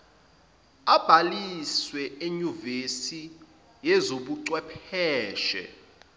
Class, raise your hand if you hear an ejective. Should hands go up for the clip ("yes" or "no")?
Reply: no